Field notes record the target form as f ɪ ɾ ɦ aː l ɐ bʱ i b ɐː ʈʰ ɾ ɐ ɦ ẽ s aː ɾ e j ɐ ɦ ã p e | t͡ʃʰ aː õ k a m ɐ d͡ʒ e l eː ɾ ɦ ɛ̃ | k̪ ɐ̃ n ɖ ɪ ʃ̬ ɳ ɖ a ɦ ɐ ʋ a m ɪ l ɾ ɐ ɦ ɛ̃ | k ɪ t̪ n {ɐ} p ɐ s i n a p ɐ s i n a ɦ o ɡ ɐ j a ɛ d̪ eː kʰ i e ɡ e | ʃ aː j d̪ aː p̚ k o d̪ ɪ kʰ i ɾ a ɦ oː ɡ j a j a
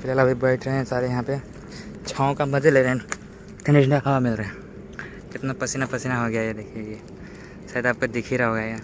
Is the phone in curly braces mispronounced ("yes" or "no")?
yes